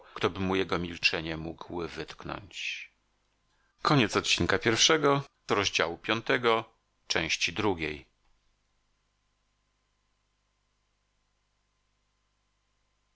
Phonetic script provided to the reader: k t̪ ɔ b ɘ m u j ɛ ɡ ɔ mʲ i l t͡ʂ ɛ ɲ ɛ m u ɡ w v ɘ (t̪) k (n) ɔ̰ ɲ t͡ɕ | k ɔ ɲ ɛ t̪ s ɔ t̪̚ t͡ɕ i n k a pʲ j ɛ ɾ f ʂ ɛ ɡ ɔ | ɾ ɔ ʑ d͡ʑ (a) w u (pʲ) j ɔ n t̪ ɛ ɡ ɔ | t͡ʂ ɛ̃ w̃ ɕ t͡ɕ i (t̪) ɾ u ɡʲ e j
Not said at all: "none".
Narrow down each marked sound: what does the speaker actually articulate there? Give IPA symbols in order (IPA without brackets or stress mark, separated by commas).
t̪, n, a, pʲ, d̪